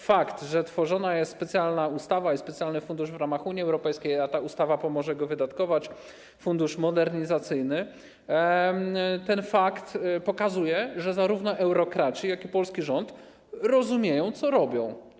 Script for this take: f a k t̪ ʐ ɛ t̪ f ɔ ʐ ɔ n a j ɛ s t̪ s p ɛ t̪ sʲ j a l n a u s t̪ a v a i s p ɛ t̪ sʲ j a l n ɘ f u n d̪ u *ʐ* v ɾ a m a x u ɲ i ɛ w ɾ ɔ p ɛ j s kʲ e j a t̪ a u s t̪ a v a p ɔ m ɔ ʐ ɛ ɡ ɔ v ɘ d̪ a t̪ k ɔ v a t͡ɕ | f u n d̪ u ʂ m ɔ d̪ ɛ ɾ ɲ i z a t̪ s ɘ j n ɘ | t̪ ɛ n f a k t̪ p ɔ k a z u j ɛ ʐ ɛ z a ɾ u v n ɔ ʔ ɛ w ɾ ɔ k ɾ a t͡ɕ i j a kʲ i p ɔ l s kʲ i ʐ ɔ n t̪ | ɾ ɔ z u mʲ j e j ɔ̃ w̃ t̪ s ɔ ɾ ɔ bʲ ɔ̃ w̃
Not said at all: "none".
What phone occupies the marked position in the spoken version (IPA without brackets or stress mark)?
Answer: ʐ